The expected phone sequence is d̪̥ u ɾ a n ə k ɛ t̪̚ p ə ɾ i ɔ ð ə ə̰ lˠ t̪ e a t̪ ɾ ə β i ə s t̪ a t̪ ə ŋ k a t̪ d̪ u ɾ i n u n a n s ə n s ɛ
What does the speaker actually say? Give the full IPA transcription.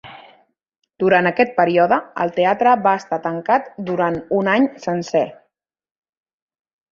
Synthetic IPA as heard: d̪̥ u ɾ a n ə k ɛ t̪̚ p ə ɾ i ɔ ð ə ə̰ lˠ t̪ e a t̪ ɾ ə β a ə s t̪ a t̪ ə ŋ k a t̪ d̪ u ɾ a n u n a ɲ s ə n s ɛ